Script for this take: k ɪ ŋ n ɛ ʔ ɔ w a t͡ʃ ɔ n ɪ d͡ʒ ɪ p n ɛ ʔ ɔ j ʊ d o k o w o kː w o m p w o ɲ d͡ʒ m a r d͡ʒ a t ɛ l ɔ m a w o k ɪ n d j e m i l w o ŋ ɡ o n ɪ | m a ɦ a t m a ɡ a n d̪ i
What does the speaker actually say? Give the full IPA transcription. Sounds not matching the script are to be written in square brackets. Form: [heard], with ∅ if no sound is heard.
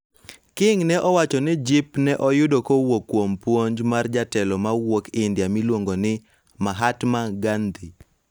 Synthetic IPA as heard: k ɪ ŋ n ɛ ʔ ɔ w a t͡ʃ ɔ n ɪ d͡ʒ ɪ p n ɛ ʔ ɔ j ʊ d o k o w o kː w o m p w o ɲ d͡ʒ m a r d͡ʒ a t ɛ l ɔ m a w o k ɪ n d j [a] m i l w o ŋ ɡ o n ɪ | m a ɦ a t m a ɡ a n d̪ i